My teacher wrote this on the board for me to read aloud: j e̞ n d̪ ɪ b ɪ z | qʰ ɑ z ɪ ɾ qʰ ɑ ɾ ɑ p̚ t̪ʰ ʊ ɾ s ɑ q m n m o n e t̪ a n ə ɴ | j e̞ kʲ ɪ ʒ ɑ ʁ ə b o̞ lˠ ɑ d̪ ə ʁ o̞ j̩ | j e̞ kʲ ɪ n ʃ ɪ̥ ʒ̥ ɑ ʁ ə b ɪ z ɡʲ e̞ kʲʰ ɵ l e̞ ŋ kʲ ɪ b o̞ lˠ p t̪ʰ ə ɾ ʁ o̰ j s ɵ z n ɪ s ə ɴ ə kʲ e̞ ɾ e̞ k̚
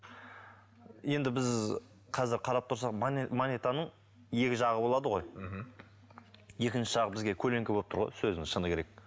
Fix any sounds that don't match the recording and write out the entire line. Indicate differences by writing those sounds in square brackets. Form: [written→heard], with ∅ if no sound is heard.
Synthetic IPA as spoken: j e̞ n d̪ ɪ b ɪ z | qʰ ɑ z ɪ ɾ qʰ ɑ ɾ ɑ p̚ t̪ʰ ʊ ɾ s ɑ q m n m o n e t̪ a n ə ɴ | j e̞ kʲ ɪ ʒ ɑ ʁ ə b o̞ lˠ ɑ d̪ ə ʁ o̞ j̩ | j e̞ kʲ ɪ n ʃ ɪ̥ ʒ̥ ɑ ʁ ə b ɪ z ɡʲ e̞ kʲʰ ɵ l e̞ ŋ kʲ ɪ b o̞ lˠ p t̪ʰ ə ɾ ʁ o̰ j s ɵ z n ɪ [s→ʃ] ə [ɴ→n] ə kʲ e̞ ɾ e̞ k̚